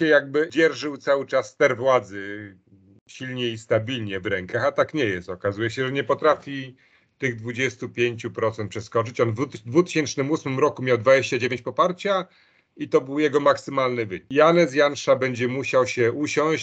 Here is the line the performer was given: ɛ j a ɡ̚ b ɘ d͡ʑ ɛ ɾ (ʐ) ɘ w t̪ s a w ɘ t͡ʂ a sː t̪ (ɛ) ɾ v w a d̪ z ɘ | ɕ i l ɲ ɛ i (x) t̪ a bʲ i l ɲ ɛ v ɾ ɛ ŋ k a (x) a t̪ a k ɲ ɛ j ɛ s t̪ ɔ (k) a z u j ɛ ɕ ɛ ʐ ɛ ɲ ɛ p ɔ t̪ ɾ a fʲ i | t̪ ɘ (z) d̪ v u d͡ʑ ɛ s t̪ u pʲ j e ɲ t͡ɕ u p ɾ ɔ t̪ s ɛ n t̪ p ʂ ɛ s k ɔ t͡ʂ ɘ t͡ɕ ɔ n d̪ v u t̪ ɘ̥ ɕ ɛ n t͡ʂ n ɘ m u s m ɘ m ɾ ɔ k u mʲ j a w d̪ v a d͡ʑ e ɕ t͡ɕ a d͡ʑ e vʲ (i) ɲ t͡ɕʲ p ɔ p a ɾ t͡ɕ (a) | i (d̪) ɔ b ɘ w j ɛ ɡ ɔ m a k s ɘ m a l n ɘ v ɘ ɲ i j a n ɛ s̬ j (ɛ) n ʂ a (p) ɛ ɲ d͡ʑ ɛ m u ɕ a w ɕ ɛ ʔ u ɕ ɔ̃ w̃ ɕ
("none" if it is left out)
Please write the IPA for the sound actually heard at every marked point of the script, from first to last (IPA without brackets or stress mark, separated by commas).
ʐ, ɛ, s, x, k, ɣ, e, a, t̪, a, b